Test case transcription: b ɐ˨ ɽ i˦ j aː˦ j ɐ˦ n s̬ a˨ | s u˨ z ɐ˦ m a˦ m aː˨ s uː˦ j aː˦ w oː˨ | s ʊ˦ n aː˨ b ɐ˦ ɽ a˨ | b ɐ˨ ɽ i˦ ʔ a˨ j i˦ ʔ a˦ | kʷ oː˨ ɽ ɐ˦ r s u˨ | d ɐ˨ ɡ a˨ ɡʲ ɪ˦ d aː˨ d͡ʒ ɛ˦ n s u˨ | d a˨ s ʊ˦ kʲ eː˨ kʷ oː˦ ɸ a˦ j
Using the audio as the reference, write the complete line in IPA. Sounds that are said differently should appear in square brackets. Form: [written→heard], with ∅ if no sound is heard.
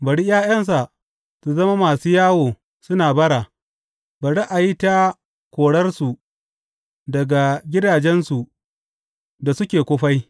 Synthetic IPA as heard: b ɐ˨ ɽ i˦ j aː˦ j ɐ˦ n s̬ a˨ | s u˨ z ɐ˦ m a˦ m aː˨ s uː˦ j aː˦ w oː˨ | s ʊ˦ n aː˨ b ɐ˦ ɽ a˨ | b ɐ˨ ɽ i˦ ʔ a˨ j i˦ [ʔ→t] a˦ | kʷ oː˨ ɽ ɐ˦ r s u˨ | d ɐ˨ ɡ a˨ ɡʲ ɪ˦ d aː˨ d͡ʒ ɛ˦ n s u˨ | d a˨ s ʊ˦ kʲ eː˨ kʷ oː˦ ɸ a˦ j